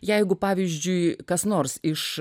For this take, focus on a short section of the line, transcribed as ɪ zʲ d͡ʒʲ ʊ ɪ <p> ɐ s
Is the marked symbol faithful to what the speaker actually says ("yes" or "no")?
no